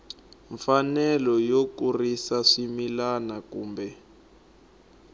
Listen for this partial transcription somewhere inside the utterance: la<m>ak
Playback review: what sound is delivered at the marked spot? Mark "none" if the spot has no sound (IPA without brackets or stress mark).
n